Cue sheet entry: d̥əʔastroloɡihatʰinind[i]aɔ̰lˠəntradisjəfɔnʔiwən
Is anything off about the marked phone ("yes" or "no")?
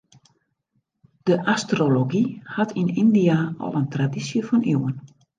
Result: no